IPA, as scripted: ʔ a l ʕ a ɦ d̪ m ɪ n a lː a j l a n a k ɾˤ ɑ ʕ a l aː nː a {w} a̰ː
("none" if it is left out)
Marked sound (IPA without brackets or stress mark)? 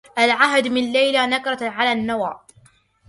w